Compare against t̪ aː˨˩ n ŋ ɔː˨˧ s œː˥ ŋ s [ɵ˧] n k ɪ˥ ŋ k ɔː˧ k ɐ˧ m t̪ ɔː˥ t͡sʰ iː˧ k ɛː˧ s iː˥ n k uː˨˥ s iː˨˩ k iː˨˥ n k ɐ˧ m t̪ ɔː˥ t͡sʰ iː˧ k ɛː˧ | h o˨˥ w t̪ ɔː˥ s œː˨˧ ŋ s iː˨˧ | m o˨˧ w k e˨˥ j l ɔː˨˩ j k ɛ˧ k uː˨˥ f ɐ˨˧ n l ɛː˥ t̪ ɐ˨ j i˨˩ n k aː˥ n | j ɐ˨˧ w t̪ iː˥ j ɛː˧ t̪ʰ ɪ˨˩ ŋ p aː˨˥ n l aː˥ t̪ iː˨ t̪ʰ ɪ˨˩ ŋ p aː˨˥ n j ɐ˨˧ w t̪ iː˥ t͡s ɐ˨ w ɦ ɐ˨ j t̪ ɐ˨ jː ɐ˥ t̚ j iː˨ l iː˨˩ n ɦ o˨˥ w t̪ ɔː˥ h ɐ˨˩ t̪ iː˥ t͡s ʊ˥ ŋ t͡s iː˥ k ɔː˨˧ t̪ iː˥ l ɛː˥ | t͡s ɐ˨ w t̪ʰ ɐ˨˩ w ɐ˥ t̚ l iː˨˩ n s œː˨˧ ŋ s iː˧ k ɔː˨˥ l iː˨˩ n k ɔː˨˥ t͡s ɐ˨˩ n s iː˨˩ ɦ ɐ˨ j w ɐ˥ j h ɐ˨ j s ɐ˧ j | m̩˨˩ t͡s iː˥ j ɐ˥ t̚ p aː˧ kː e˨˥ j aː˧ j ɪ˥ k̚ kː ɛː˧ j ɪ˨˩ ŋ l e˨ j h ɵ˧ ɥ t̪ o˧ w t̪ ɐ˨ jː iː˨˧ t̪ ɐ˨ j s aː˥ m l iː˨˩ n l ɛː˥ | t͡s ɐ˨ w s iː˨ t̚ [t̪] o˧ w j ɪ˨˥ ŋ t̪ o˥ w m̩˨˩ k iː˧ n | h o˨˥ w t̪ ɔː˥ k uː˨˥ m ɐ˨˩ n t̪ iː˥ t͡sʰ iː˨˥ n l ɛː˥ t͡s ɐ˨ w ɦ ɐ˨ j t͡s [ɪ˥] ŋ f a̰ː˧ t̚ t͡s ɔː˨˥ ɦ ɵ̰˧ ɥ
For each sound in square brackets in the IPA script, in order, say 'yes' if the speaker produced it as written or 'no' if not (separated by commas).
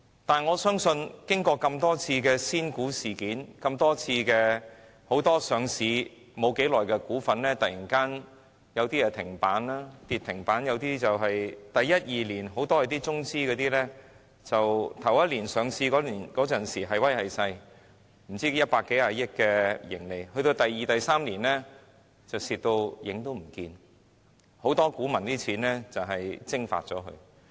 yes, yes, yes